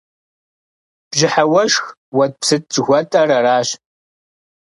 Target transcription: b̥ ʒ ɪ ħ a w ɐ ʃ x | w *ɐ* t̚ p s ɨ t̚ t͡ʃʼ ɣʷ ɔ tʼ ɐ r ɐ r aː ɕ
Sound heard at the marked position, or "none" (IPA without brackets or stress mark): ɐ